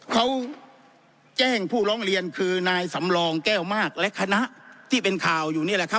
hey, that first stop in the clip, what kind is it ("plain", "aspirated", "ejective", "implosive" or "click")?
aspirated